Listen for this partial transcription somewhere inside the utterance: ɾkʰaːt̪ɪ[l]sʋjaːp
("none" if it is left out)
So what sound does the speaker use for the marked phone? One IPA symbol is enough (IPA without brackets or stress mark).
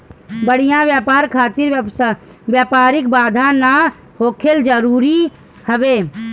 ɾ